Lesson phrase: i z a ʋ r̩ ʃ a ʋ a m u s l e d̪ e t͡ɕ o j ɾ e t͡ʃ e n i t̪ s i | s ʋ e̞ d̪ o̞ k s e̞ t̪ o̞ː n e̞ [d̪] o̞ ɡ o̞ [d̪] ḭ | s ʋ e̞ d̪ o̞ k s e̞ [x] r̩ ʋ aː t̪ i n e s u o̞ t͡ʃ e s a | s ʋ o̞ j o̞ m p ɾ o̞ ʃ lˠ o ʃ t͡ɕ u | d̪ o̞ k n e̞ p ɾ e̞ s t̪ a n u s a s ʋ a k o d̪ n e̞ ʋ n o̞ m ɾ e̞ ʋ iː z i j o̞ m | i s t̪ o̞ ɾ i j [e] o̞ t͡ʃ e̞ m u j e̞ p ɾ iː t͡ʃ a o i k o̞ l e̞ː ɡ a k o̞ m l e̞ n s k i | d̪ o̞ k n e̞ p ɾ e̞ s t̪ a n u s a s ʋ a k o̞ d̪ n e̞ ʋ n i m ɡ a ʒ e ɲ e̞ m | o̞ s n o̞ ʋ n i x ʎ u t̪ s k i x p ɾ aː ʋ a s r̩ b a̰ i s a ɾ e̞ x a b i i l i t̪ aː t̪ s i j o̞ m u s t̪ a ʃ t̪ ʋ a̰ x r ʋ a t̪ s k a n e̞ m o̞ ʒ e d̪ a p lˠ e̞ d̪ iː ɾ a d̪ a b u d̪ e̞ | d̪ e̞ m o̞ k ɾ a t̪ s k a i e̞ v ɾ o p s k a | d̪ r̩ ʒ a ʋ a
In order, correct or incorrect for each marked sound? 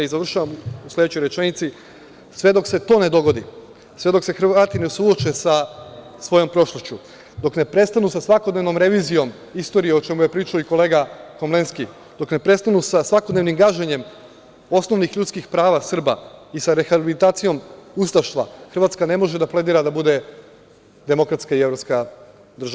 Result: correct, correct, correct, correct

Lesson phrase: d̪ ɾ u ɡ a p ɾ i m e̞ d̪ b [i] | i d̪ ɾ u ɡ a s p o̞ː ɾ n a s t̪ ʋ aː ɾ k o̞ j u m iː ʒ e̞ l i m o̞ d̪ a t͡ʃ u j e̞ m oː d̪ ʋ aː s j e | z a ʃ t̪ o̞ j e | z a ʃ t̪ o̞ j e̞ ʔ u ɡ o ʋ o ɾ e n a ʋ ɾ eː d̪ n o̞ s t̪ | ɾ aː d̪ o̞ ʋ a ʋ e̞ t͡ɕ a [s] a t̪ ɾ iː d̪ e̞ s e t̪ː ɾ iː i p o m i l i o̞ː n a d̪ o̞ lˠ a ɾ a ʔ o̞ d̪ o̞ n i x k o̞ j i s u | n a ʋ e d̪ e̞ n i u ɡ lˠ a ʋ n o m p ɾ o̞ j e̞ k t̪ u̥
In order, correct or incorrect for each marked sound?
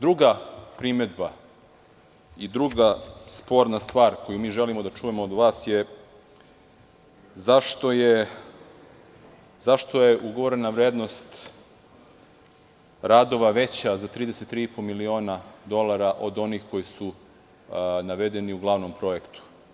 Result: incorrect: a, incorrect: z

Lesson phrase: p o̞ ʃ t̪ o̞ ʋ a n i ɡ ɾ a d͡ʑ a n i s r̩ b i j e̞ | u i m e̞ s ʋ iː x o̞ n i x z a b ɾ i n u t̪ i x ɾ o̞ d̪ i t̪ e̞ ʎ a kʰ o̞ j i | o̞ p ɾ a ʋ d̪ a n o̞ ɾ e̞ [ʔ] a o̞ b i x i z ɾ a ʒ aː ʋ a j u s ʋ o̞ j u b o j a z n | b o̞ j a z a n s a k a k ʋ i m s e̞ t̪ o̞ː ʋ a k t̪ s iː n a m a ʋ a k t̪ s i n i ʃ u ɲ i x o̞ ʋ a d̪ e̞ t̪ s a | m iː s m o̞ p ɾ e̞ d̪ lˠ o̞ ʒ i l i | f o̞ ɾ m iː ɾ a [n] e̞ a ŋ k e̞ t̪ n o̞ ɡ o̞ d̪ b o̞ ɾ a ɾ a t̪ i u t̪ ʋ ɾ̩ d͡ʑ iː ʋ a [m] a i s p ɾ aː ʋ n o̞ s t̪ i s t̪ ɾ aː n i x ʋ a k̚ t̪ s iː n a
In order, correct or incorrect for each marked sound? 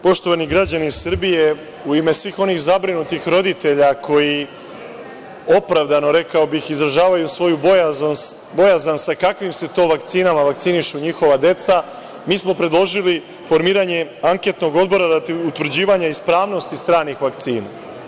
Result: incorrect: k, incorrect: ɲ, incorrect: ɲ

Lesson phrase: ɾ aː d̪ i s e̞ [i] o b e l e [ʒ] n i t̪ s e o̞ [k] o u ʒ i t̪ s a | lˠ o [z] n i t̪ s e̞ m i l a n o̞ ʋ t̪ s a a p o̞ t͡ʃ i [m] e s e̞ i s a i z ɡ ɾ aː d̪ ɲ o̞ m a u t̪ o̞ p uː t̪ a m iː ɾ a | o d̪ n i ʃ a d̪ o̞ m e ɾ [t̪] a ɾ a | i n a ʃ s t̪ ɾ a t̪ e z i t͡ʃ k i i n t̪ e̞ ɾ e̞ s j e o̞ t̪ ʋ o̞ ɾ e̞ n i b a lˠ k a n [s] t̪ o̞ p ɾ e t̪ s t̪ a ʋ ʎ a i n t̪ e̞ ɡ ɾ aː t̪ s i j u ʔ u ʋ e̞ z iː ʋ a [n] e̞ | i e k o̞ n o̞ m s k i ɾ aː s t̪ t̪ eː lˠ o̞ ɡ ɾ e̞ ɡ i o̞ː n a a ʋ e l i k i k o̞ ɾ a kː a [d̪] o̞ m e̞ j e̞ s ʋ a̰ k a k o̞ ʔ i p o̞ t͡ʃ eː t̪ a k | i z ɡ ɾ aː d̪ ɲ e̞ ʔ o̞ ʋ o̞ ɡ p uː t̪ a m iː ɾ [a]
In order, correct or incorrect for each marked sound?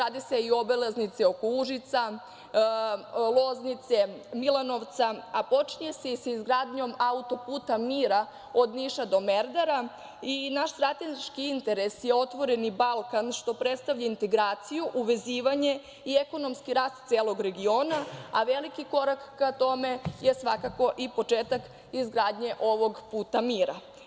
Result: correct, incorrect: z, correct, correct, incorrect: ɲ, incorrect: d̪, incorrect: ʃ, incorrect: ɲ, incorrect: t̪, correct

